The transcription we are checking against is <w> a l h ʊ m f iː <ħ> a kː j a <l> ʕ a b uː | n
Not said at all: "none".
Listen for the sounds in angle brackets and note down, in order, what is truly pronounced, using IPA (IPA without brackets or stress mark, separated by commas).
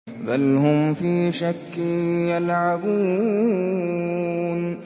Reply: b, ʃ, l